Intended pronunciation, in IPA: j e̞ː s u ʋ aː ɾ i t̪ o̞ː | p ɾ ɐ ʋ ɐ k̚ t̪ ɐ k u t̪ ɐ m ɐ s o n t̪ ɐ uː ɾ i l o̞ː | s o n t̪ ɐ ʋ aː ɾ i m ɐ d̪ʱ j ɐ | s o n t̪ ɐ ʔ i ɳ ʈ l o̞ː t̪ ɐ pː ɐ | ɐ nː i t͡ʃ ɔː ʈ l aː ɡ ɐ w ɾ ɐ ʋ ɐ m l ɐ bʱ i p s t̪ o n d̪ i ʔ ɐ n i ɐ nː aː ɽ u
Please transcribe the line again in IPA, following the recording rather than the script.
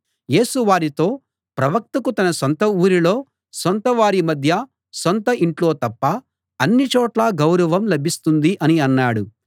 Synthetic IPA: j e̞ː s u ʋ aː ɾ i t̪ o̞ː | p ɾ ɐ ʋ ɐ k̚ t̪ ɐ k u t̪ ɐ n ɐ s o n t̪ ɐ uː ɾ i l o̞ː | s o n t̪ ɐ ʋ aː ɾ i m ɐ d̪ʱ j ɐ | s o n t̪ ɐ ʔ i ɳ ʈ l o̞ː t̪ ɐ pː ɐ | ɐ nː i t͡ʃ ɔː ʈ l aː ɡ ɐ w ɾ ɐ ʋ ɐ m l ɐ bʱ i s t̪ u n d̪ i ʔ ɐ n i ɐ nː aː ɽ u